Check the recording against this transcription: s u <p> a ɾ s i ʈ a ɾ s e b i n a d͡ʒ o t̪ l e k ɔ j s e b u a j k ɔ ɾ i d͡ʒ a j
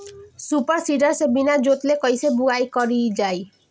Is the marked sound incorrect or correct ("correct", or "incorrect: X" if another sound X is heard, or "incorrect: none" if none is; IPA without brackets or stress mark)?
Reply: correct